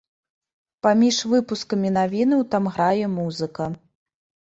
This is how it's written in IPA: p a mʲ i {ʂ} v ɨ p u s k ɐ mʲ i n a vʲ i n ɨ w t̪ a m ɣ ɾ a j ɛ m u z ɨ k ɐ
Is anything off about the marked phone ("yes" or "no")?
no